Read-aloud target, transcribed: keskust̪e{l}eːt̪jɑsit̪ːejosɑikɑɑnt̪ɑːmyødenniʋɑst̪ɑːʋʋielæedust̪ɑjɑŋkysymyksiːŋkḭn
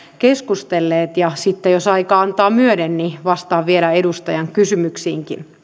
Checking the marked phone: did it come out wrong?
yes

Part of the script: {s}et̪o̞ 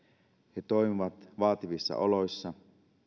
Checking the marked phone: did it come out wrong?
yes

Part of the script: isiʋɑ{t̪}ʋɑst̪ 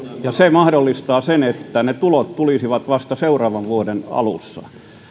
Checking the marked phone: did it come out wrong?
no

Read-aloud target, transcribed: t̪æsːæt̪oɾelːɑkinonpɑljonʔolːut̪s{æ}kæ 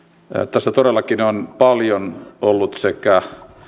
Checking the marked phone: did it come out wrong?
yes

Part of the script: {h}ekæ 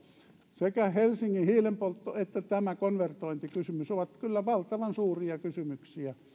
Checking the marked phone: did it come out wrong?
yes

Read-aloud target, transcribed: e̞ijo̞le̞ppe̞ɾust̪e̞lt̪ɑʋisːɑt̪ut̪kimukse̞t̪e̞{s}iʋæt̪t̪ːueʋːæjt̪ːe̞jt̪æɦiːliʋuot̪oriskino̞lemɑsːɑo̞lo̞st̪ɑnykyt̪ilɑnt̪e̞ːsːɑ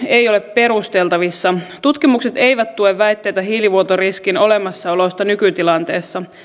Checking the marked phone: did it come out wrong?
yes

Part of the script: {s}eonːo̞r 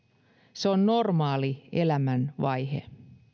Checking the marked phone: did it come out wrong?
no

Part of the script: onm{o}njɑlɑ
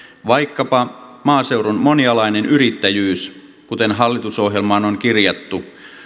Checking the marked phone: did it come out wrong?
no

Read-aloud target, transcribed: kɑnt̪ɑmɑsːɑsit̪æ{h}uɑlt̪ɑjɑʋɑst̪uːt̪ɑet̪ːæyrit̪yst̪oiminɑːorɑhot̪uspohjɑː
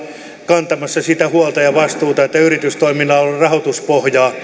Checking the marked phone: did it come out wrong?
no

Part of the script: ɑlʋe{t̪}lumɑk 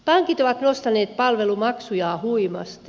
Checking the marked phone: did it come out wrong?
yes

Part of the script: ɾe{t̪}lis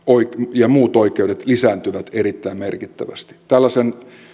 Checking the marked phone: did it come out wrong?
no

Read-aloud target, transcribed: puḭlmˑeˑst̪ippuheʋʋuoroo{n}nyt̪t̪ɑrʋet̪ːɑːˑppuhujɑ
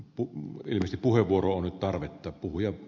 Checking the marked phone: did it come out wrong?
no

